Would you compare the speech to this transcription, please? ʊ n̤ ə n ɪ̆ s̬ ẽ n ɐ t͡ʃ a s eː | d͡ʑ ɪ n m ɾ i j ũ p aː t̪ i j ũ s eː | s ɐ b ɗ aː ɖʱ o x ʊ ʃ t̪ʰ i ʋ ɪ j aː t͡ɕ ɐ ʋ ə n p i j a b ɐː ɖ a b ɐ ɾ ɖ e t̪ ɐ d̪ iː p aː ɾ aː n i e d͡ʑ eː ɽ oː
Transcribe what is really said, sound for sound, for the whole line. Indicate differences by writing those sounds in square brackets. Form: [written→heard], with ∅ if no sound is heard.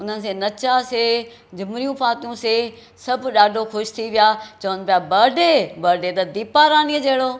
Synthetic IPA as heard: ʊ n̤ ə n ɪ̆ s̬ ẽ n ɐ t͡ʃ a s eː | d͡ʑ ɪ [n→∅] m ɾ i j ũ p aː t̪ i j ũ s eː | s ɐ b ɗ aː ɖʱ o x ʊ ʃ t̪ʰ i ʋ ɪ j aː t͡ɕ ɐ ʋ ə n p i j a b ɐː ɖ [a→e] b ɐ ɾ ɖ e t̪ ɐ d̪ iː p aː ɾ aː n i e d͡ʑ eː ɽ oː